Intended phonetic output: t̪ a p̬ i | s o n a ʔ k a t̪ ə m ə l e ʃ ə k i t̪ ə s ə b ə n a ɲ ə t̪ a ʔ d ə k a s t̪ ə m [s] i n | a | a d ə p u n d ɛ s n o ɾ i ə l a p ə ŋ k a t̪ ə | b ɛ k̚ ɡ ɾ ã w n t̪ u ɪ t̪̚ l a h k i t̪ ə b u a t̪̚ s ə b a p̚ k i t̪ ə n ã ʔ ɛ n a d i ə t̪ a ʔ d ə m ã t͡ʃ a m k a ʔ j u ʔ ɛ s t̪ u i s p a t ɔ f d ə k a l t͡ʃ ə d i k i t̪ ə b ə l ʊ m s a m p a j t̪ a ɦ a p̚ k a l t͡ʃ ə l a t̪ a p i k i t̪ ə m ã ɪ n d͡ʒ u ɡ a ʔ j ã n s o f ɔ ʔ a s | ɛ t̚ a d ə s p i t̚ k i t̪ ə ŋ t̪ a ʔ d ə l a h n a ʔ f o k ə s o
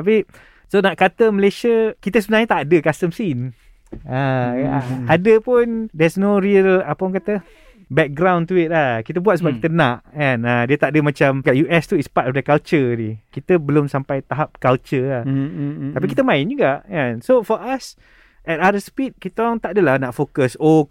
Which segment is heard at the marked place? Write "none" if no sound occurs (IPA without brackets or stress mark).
s